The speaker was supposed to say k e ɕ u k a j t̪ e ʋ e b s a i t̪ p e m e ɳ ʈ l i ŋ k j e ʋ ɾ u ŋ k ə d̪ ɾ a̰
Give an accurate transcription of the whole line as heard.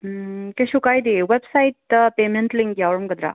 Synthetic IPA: k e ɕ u k a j d̪ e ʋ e b s a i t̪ p e m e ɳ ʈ l i ŋ k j a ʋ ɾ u m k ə d̪ ɾ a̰